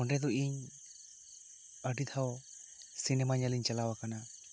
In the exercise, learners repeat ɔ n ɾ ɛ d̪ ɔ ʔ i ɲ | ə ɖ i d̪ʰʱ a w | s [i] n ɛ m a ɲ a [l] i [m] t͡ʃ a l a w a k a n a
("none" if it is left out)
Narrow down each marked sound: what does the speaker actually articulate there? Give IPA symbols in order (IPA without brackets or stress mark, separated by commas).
i, l, ɲ